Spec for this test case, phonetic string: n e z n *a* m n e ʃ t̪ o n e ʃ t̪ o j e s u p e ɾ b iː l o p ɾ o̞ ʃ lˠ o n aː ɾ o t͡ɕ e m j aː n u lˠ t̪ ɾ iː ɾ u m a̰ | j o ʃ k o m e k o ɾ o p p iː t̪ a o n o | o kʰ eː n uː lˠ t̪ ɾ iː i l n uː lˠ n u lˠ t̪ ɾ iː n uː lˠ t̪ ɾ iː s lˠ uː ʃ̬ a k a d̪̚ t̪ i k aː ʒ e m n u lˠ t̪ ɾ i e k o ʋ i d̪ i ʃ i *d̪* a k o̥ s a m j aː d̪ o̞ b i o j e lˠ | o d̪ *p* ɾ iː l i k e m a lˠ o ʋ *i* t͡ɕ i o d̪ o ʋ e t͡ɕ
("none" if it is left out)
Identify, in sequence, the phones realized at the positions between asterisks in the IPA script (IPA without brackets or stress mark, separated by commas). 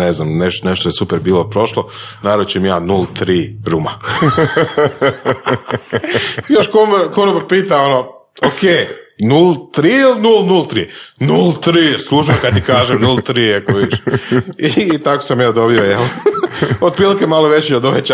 a, t̪, p, e